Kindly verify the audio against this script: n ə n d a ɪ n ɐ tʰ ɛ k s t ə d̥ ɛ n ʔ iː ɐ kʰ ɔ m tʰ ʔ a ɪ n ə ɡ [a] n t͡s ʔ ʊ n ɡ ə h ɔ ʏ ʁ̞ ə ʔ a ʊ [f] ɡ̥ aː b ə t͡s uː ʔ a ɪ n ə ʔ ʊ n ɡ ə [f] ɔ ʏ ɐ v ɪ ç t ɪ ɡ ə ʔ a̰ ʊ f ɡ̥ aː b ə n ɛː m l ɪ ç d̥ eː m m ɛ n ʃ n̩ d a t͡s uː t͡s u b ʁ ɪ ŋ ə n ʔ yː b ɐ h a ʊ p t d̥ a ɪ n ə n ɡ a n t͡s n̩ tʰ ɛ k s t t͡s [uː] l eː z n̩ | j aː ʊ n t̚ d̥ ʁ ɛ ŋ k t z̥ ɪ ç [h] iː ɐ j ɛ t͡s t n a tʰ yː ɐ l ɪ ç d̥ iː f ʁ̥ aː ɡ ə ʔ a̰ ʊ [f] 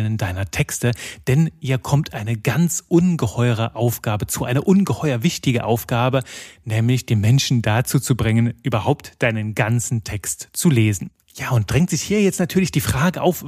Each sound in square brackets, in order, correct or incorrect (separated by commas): correct, correct, incorrect, incorrect, correct, correct